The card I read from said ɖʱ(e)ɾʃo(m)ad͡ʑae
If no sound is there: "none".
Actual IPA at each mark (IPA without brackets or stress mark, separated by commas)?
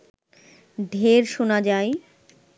e, n